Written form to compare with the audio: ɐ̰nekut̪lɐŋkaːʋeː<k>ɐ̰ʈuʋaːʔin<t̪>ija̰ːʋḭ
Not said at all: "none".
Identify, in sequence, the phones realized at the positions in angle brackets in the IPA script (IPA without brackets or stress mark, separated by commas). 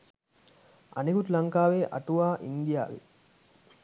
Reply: ʔ, d̪